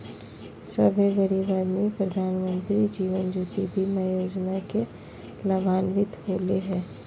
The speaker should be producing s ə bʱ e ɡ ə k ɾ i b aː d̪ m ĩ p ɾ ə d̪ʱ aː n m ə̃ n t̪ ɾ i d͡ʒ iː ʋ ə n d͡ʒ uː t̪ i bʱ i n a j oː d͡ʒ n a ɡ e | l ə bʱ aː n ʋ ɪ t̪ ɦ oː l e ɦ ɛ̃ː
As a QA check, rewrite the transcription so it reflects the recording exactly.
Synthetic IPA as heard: s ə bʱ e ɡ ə ɾ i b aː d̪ m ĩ p ɾ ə d̪ʱ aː n m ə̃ n t̪ ɾ i d͡ʒ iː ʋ ə n d͡ʒ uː t̪ i bʱ i m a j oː d͡ʒ n a k e | l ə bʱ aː n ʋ ɪ t̪ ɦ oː l e ɦ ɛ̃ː